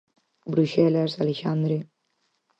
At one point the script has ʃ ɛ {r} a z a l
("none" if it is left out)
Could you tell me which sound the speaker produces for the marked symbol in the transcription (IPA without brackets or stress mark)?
l